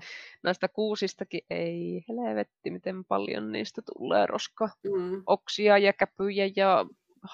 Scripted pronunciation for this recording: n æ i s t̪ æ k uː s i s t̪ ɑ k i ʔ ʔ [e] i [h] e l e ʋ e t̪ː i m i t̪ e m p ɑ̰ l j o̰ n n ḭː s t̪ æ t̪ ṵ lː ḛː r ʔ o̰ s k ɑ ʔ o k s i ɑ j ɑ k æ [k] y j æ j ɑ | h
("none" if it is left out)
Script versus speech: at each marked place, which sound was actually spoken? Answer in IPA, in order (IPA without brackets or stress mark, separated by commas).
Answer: e, h, p